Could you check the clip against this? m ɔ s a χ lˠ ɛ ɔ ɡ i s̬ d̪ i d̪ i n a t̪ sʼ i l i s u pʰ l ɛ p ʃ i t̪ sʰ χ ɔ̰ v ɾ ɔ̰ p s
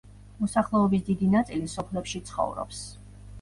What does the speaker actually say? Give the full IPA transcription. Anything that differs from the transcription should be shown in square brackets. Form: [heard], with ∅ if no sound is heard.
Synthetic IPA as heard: m ɔ s a χ lˠ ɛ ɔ [b] i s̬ d̪ i d̪ i n a t̪ sʼ i l i s [ɔ] pʰ l ɛ p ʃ i t̪ sʰ χ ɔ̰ v ɾ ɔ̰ p s